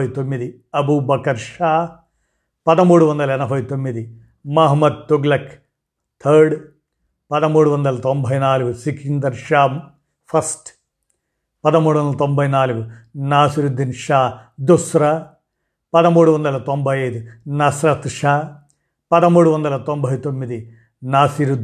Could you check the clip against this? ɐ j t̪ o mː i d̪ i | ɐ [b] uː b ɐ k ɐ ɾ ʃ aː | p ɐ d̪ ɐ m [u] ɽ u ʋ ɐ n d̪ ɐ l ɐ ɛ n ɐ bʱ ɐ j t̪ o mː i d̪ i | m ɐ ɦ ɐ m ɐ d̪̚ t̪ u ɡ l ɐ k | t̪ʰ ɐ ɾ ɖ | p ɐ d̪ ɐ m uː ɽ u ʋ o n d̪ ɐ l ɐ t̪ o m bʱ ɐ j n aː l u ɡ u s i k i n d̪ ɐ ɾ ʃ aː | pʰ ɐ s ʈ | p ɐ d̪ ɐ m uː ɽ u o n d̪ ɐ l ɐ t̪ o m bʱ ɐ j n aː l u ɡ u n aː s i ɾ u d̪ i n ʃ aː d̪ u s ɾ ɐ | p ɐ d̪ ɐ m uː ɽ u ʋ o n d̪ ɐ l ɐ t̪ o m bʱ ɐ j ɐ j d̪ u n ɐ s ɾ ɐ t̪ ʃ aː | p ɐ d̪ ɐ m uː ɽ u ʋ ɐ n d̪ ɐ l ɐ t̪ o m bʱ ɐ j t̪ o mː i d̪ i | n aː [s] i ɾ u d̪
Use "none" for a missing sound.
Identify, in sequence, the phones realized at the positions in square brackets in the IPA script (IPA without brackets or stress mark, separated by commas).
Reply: b, uː, s